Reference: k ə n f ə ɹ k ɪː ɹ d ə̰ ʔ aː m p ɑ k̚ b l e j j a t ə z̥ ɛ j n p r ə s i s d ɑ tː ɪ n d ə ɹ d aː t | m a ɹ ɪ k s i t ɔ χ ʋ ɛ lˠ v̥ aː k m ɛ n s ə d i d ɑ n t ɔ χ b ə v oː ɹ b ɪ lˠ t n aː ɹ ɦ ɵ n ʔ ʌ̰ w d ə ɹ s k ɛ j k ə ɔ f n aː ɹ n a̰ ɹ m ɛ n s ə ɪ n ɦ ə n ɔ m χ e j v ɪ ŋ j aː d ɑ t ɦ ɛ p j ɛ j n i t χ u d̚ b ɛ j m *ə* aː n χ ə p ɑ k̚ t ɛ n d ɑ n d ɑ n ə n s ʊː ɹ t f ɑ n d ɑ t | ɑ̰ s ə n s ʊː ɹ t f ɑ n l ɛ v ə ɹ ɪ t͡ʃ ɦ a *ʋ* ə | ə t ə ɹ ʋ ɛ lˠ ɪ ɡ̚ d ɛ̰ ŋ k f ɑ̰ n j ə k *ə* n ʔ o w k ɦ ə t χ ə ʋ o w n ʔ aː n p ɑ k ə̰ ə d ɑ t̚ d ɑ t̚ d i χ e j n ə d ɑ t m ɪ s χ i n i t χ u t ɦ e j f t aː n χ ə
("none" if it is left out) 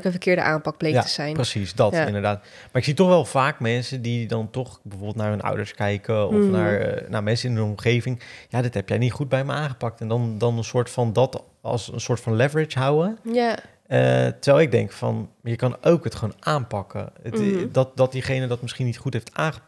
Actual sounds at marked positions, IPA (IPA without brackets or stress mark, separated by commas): ə, w, ɑ